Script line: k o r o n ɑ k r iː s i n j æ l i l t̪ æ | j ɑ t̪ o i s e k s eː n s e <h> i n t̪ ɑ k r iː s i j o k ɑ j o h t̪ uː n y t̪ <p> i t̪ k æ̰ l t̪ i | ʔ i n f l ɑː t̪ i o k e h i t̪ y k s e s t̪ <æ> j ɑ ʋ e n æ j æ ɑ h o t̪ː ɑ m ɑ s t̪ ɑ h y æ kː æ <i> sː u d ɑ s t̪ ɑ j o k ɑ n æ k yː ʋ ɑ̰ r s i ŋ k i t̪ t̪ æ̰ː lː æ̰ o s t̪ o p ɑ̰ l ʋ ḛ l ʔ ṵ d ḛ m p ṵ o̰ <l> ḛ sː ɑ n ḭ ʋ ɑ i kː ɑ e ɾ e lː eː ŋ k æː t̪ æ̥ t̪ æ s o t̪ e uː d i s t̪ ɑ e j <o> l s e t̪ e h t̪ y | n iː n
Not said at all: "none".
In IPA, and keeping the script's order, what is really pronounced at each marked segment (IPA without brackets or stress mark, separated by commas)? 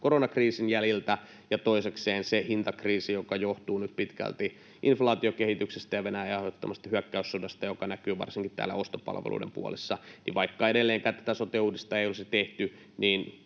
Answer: h, p, æ, y, l, o